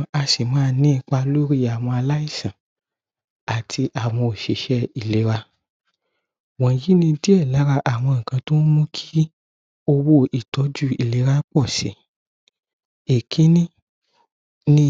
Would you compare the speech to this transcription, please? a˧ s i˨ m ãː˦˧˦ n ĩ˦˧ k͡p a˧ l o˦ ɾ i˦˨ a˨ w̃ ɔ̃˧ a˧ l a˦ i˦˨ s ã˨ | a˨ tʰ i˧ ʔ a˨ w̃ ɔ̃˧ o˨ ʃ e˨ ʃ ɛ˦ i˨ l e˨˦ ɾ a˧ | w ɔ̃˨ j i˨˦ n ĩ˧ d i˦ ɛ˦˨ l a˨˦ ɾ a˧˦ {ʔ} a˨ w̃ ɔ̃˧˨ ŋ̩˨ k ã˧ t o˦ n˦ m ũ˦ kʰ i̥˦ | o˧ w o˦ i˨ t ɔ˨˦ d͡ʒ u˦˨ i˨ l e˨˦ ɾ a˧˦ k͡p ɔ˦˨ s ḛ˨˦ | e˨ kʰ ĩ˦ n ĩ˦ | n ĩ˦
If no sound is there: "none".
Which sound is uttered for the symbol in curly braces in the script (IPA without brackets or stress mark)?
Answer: ʔ